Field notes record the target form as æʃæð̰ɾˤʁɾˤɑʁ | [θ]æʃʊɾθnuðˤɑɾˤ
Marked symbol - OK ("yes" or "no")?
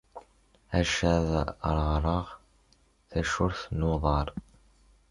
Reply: yes